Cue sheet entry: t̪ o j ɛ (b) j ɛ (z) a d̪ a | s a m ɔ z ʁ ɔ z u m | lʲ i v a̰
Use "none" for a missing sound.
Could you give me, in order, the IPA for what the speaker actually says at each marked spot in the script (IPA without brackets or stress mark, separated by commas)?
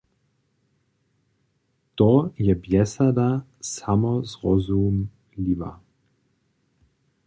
b, s